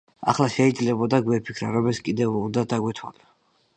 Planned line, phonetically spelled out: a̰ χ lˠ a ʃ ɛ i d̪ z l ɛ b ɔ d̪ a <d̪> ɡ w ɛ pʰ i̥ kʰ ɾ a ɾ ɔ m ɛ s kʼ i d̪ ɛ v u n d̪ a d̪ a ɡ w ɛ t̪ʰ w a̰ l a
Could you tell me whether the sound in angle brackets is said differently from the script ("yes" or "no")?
yes